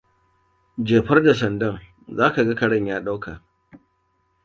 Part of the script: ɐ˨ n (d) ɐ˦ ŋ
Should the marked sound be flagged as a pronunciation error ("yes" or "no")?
no